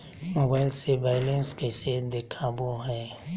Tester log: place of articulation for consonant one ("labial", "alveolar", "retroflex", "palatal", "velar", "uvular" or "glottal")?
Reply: labial